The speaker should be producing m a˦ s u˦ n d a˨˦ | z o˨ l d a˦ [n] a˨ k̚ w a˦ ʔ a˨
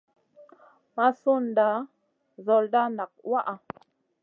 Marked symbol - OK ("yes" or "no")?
yes